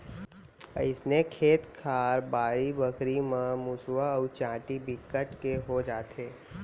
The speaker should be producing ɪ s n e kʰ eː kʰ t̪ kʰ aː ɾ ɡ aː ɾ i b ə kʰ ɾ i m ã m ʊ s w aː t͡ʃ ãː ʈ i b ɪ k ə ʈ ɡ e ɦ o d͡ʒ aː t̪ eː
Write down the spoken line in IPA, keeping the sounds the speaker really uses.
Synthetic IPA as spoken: ɪ s n e kʰ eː t̪ kʰ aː ɾ b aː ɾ i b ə k ɾ i m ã m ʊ s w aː t͡ʃ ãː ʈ i b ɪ k ə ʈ k e ɦ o d͡ʒ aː t̪ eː